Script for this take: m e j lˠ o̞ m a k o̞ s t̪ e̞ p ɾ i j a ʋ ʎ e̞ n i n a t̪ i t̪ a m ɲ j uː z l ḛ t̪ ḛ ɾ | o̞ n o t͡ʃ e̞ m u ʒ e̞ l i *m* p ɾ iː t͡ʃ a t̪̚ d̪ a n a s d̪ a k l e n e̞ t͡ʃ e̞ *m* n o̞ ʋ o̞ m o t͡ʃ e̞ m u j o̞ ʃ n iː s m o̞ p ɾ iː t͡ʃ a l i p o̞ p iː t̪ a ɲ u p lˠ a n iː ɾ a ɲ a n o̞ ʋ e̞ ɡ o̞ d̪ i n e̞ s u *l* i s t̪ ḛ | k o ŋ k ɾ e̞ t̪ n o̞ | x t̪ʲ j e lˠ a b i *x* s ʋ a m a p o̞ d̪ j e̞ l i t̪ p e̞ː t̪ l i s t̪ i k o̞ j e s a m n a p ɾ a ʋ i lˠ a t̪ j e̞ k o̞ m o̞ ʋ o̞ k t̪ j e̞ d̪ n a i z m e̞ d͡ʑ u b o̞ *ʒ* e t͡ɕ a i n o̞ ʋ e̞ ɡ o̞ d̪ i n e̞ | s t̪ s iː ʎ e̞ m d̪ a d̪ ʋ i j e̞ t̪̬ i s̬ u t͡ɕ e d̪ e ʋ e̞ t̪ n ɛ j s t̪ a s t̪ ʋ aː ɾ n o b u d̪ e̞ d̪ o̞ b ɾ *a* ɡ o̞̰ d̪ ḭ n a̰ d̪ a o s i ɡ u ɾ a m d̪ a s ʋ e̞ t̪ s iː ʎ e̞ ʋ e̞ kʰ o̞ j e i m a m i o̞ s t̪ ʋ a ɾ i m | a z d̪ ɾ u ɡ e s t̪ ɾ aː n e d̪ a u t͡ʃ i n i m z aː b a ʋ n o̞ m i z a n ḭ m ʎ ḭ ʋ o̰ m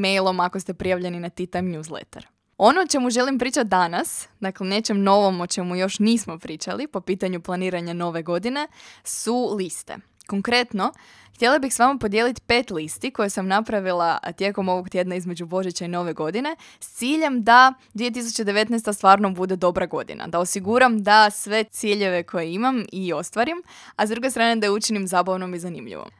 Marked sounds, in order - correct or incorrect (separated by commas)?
correct, correct, correct, correct, correct, correct